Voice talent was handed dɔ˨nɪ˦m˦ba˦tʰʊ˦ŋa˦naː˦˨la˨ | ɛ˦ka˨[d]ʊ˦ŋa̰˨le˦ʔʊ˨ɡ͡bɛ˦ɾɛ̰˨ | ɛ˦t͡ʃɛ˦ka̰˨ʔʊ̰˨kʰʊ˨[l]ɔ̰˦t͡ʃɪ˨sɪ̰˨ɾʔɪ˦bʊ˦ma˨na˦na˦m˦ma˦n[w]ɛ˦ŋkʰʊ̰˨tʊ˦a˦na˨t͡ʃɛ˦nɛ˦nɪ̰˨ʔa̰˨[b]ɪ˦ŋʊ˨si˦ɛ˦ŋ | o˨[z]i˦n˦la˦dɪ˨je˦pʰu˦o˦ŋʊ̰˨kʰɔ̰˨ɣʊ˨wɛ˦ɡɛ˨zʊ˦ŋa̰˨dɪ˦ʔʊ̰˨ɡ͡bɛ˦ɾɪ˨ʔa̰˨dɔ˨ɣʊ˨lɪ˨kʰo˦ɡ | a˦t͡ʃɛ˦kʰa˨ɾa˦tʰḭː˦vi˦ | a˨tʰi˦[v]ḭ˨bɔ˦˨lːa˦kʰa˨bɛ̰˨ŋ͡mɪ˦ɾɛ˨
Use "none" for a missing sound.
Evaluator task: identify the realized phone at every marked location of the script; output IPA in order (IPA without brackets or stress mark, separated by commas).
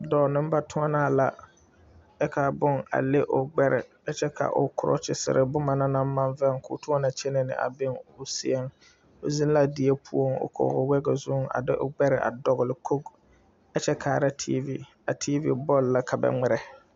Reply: b, ɾ, v, b, z, v